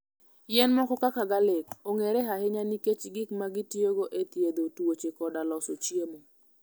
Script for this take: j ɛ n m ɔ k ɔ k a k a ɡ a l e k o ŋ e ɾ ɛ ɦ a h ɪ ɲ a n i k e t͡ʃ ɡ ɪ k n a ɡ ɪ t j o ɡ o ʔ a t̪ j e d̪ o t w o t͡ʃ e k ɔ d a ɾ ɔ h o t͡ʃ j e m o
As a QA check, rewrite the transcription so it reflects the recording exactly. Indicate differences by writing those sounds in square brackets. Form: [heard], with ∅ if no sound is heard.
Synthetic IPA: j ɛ n m ɔ k ɔ k a k a ɡ a l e k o ŋ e ɾ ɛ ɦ a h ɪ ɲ a n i k e t͡ʃ ɡ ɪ k [m] a ɡ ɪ t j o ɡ o ʔ [e] t̪ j e d̪ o t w o t͡ʃ e k ɔ d a [l] ɔ [s] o t͡ʃ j e m o